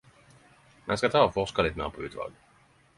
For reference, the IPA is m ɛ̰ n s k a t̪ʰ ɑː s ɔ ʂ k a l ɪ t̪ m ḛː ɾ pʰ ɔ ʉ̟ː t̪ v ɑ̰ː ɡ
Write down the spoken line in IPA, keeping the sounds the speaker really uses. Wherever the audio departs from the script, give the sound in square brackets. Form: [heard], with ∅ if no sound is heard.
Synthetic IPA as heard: m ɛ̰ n s k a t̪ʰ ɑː [f] ɔ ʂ k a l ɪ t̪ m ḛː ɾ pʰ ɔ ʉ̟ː t̪ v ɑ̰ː ɡ